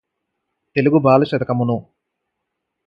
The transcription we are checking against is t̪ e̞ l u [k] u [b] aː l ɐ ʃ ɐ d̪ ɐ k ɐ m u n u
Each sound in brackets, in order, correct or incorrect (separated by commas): incorrect, correct